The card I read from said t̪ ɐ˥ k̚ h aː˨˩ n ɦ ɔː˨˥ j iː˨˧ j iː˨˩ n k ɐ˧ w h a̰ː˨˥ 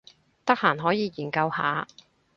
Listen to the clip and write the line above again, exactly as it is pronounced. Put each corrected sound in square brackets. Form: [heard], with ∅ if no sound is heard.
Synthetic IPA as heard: t̪ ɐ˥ k̚ h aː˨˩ n ɦ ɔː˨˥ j iː˨˧ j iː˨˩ n k ɐ˧ w h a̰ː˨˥